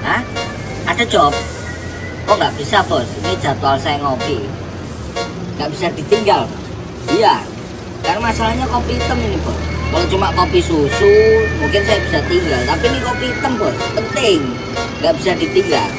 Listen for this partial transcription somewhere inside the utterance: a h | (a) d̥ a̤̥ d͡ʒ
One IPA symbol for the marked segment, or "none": a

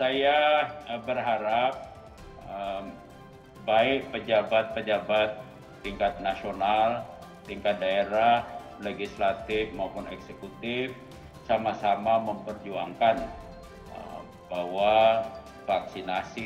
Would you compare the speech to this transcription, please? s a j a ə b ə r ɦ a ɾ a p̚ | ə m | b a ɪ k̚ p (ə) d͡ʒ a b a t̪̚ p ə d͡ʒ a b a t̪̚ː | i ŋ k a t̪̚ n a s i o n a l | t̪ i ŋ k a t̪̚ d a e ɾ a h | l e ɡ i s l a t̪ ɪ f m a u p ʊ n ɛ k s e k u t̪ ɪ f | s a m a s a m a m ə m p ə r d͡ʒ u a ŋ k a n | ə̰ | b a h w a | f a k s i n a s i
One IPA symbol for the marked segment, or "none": ə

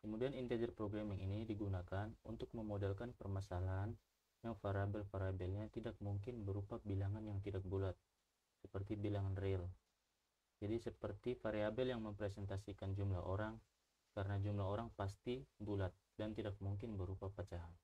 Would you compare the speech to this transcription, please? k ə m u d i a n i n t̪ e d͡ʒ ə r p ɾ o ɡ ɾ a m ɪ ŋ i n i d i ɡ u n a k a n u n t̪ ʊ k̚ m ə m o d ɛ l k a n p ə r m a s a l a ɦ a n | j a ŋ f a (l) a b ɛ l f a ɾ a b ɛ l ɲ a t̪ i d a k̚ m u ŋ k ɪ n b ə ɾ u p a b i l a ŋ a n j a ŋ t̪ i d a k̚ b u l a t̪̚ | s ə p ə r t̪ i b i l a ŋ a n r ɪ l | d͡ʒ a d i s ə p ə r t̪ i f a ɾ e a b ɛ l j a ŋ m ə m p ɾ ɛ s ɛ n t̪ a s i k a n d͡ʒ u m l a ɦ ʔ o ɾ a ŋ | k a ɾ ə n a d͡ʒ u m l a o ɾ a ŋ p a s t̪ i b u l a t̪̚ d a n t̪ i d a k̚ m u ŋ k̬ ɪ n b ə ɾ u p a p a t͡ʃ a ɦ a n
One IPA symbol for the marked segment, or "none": ɾ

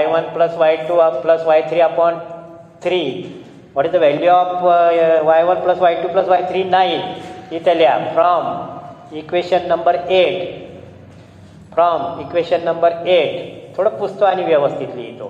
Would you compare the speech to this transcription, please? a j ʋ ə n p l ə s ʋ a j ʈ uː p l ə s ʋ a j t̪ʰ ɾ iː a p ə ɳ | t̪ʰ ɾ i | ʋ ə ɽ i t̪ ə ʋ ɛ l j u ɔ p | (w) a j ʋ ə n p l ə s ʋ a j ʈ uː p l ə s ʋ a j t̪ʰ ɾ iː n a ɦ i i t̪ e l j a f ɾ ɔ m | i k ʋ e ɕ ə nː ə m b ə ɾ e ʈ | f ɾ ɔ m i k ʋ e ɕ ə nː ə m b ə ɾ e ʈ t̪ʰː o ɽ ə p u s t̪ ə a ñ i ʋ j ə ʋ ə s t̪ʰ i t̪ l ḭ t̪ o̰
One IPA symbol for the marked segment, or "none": ʋ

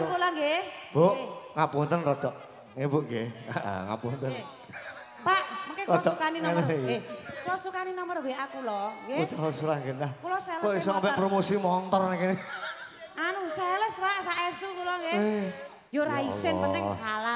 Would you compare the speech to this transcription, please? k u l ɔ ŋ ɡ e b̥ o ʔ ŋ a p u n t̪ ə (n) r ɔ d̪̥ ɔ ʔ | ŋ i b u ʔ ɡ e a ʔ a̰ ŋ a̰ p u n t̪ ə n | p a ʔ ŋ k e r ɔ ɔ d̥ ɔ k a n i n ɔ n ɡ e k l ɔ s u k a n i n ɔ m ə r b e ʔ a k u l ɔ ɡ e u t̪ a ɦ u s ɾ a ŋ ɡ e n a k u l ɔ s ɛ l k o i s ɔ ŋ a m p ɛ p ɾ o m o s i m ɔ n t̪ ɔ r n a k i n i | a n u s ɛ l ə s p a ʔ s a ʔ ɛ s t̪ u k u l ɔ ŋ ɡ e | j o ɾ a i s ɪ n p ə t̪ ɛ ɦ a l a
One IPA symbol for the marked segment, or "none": n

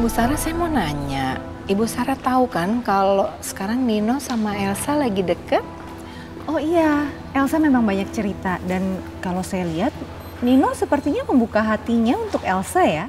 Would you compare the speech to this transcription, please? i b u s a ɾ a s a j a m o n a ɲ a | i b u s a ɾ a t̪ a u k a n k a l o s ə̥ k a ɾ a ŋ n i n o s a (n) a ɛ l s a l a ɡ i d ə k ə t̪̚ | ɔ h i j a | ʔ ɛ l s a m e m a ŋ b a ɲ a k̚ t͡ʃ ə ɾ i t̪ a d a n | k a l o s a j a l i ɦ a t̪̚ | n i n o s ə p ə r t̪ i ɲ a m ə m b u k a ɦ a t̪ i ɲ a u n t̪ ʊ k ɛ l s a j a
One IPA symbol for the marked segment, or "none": m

